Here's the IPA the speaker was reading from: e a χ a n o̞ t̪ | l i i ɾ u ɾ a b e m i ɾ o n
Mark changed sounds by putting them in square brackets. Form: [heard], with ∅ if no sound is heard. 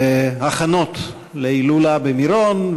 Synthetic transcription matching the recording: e a χ a n o̞ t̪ | l [e] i [l] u [l] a b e m i ɾ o n